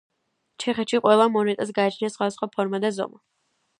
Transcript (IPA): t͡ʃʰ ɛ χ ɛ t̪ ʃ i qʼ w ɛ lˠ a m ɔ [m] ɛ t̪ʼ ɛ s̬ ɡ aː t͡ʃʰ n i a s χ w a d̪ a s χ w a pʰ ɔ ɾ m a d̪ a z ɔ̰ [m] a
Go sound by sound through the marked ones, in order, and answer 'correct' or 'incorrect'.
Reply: incorrect, correct

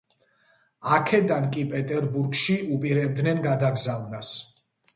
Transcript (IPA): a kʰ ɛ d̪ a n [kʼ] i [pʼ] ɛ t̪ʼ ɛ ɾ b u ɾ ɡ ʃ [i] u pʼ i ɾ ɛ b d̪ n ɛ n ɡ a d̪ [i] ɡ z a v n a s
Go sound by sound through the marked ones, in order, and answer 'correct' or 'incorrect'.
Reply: correct, correct, correct, incorrect

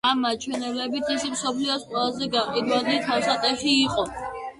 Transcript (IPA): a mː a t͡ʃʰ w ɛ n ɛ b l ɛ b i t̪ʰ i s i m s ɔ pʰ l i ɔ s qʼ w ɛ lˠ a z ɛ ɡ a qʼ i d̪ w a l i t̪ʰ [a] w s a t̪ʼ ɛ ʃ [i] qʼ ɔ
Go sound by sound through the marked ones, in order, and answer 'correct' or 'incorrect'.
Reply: correct, incorrect

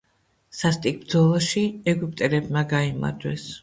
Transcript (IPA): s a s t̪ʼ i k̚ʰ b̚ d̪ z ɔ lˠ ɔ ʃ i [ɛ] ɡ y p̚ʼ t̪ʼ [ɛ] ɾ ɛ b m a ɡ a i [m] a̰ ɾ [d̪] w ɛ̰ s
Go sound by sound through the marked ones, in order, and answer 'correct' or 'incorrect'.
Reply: correct, correct, correct, correct

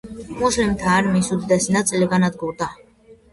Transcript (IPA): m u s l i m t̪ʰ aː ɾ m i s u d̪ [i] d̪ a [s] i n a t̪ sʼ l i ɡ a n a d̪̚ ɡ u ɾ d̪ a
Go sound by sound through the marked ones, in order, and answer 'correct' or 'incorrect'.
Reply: correct, correct

